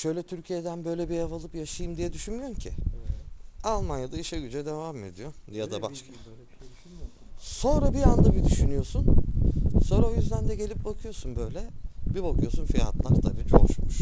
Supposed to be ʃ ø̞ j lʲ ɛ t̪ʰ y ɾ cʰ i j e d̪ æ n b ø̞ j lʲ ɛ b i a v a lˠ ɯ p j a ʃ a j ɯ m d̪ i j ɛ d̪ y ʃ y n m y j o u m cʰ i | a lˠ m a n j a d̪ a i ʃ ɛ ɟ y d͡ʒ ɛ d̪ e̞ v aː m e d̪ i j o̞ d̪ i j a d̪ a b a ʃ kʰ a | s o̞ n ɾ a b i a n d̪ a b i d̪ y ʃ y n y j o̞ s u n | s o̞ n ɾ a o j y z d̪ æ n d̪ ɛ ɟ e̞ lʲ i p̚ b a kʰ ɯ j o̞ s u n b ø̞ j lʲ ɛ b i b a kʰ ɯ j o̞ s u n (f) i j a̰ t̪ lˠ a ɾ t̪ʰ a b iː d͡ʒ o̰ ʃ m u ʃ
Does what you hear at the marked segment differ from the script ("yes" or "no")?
no